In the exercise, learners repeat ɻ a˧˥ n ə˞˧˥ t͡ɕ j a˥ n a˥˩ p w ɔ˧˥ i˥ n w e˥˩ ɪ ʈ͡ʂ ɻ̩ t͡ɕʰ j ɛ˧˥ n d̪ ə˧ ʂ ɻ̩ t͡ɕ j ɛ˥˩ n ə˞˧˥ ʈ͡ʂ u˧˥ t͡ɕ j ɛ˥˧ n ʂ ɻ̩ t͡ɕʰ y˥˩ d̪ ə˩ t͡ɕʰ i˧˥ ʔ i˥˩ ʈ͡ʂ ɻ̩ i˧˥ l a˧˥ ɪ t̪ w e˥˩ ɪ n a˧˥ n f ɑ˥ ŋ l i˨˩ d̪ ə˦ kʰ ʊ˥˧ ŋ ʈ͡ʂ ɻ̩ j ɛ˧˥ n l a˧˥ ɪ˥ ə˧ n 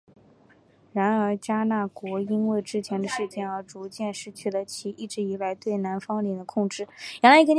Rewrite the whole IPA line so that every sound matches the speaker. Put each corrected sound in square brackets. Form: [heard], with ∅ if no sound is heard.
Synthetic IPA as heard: ɻ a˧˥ n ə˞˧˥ t͡ɕ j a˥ n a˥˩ [k] w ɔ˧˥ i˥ n w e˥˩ ɪ ʈ͡ʂ ɻ̩ t͡ɕʰ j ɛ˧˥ n d̪ ə˧ ʂ ɻ̩ t͡ɕ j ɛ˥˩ n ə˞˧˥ ʈ͡ʂ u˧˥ t͡ɕ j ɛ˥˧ n ʂ ɻ̩ t͡ɕʰ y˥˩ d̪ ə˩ t͡ɕʰ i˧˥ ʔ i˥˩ ʈ͡ʂ ɻ̩ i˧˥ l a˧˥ ɪ t̪ w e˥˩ ɪ n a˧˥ n f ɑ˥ ŋ l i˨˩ d̪ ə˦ kʰ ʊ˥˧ ŋ ʈ͡ʂ ɻ̩ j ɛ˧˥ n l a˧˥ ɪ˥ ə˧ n